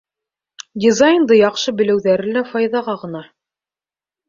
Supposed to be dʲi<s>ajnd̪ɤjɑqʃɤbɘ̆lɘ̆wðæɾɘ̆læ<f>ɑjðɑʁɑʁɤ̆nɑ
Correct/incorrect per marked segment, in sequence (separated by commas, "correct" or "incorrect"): incorrect, correct